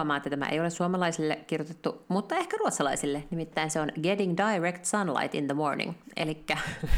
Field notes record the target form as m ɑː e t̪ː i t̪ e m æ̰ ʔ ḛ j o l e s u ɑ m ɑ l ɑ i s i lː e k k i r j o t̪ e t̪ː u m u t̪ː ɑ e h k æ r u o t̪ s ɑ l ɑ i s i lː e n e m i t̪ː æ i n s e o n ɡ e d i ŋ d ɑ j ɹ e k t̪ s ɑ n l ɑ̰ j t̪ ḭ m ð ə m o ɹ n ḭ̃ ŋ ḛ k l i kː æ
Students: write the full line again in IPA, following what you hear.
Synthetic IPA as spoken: m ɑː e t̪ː æ t̪ æ m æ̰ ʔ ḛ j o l e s u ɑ m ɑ l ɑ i s i lː e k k i r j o t̪ e t̪ː u m u t̪ː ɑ e h k æ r u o t̪ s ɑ l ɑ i s i lː e n i m i t̪ː æ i n s e o n ɡ e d i ŋ d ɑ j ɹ e k t̪ s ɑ n l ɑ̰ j t̪ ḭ n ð ə m o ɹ n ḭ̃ ŋ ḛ l i kː æ